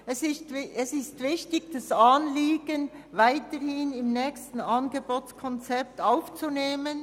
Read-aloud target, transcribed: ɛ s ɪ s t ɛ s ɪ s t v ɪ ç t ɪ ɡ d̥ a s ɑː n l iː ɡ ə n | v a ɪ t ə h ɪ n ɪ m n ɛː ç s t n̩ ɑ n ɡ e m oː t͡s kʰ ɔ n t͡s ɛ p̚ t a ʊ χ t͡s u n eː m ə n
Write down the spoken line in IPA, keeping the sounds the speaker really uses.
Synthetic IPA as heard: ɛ s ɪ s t ɛ s ɪ s t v ɪ ç t ɪ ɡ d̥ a s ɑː n l iː ɡ ə n | v a ɪ t ə h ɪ n ɪ m n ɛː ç s t n̩ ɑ n ɡ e b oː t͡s kʰ ɔ n t͡s ɛ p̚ t a ʊ f t͡s u n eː m ə n